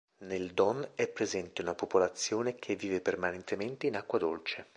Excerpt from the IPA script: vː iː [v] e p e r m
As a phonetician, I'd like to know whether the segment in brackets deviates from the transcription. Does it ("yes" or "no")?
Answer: no